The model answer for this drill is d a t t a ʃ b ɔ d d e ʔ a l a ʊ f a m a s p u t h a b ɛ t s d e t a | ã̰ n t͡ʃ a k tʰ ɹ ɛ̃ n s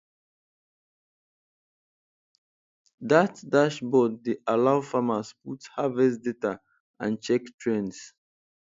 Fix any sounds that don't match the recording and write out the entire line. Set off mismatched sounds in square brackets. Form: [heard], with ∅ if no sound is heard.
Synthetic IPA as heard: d a t [d] a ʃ b ɔ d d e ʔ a l a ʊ f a m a s p u t h a [v] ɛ [∅] s d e t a | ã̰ n t͡ʃ [ɛ] k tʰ ɹ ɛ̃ n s